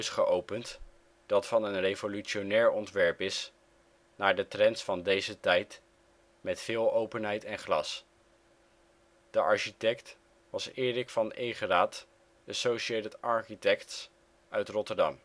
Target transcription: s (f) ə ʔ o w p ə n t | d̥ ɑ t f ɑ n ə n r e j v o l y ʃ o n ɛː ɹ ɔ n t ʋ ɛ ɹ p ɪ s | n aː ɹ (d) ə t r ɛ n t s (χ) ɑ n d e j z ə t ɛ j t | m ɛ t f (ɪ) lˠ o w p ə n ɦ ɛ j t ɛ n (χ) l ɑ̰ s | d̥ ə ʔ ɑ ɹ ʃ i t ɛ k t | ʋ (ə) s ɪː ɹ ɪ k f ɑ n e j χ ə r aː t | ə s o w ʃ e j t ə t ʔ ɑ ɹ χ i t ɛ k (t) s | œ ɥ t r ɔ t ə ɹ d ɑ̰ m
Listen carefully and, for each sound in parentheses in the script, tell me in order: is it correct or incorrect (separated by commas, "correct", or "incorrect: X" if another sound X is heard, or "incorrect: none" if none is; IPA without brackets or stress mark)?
incorrect: χ, correct, incorrect: f, incorrect: ɪː, correct, incorrect: ɑ, correct